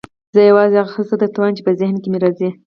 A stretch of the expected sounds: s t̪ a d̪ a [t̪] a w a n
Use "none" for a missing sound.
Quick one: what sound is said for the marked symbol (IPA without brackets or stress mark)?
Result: t̪